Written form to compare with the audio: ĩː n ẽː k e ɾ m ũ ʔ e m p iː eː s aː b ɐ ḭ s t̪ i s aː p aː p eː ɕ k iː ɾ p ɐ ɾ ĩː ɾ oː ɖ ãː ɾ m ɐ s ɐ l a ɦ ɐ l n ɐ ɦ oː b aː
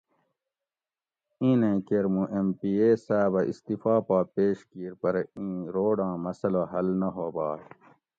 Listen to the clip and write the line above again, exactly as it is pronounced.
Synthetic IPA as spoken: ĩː n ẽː k e ɾ m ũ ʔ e m p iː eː s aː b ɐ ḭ s t̪ i f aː p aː p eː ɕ k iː ɾ p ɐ ɾ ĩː ɾ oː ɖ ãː m ɐ s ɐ l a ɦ ɐ l n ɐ ɦ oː b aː